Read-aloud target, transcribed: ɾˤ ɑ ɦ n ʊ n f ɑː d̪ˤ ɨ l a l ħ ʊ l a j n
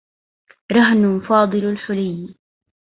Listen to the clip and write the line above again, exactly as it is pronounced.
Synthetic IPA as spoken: ɾˤ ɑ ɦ n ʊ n f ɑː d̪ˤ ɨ l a l ħ ʊ l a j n